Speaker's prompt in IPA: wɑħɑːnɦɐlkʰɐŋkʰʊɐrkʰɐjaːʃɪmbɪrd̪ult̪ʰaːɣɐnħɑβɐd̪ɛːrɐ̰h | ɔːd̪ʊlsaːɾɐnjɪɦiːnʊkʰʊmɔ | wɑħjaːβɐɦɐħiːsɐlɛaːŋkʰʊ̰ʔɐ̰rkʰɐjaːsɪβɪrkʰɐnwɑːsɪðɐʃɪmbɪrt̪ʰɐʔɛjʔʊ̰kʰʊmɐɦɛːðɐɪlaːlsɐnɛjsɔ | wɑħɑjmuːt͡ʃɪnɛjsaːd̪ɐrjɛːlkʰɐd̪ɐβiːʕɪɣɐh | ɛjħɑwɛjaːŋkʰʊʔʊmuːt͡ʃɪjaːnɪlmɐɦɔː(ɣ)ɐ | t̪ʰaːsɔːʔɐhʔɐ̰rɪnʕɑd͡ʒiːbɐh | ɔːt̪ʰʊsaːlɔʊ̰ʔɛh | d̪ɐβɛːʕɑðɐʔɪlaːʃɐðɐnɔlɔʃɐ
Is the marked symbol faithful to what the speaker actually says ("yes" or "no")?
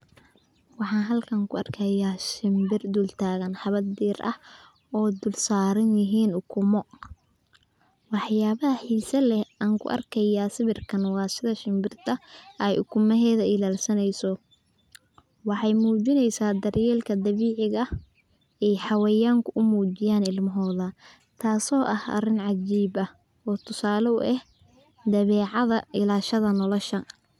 no